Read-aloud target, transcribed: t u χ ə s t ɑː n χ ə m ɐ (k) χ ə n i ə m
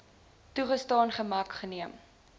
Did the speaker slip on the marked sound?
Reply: no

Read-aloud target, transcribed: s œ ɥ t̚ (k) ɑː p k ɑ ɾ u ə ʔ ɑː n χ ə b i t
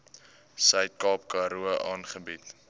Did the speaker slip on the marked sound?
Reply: no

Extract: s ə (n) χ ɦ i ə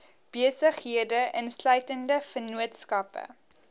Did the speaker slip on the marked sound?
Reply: yes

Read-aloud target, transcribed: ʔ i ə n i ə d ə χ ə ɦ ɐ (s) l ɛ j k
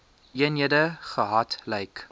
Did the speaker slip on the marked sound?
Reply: yes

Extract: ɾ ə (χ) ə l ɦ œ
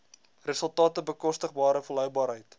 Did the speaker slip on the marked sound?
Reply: yes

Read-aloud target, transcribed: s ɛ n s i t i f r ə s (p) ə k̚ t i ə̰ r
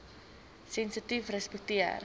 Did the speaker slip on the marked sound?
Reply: no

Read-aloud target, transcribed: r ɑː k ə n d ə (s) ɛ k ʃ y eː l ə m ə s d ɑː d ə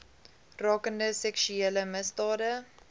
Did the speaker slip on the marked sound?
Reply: no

